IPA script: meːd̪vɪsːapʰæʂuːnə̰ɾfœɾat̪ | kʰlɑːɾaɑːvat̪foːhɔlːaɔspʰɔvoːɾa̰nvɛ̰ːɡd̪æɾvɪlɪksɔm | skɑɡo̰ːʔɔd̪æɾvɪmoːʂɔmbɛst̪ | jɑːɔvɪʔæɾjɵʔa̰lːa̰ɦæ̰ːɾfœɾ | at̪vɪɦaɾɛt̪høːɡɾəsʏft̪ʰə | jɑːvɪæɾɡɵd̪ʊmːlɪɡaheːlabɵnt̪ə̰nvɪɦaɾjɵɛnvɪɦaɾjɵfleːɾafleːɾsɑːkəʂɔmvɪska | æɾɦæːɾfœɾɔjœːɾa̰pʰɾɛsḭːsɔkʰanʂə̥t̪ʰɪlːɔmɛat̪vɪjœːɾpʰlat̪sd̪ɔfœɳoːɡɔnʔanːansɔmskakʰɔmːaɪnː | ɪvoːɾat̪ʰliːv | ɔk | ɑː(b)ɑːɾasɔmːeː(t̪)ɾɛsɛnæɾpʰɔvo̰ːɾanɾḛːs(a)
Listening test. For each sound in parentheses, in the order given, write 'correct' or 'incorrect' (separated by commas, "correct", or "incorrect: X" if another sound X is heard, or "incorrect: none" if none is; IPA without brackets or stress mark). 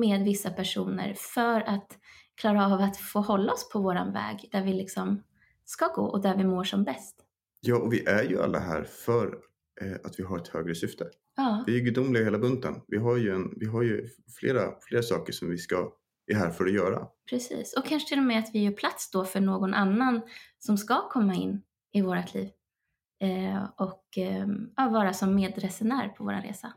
incorrect: v, incorrect: d̪, correct